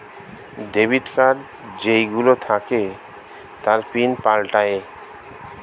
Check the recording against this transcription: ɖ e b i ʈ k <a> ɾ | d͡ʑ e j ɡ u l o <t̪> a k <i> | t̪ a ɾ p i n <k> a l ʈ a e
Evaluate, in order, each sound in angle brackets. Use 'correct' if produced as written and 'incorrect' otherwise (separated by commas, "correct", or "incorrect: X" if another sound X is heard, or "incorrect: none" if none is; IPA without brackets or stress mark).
correct, incorrect: t̪ʰ, incorrect: e, incorrect: p